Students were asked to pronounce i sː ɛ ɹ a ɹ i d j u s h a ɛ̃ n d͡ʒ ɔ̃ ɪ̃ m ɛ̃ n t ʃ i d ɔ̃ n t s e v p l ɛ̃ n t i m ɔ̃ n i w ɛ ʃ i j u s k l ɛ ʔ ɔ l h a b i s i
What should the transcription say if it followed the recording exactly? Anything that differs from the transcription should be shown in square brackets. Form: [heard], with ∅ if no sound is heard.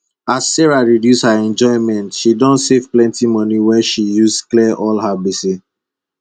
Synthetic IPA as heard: [a] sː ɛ ɹ a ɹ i d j u s h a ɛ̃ n d͡ʒ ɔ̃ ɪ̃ m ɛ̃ n t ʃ i d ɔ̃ n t s e v p l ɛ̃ n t i m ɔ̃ n i w ɛ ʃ i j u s k l ɛ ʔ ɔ l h a b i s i